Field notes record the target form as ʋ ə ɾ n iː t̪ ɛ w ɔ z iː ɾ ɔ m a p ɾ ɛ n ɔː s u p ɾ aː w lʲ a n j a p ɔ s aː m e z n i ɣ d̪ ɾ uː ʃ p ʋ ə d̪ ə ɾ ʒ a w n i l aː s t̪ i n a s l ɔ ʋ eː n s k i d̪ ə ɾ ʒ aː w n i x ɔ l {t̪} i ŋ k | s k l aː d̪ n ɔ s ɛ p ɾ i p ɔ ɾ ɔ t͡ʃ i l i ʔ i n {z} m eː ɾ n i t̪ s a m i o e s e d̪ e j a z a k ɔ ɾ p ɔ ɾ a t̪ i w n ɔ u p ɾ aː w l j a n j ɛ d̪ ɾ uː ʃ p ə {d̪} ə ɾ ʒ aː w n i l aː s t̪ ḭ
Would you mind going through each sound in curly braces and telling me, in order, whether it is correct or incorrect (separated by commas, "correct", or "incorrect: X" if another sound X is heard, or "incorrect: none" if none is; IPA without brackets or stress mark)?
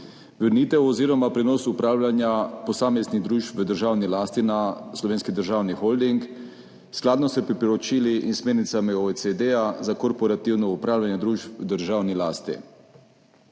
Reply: incorrect: d̪, incorrect: s, correct